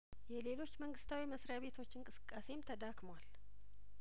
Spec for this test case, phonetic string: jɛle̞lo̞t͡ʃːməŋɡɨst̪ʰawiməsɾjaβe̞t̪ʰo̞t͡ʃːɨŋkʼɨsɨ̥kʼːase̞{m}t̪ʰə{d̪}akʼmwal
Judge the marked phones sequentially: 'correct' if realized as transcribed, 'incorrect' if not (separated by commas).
correct, correct